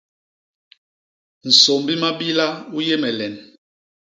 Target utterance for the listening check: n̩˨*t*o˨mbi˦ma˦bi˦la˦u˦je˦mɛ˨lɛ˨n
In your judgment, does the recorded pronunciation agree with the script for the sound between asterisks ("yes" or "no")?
no